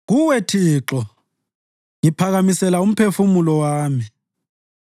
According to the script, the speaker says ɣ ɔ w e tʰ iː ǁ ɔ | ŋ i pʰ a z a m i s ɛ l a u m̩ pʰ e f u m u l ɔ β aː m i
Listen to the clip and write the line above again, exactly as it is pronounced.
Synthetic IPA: ɣ u w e tʰ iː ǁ ɔ | ŋ i pʰ a ɣ a m i s ɛ l a u m̩ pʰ e f u m u l ɔ w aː m i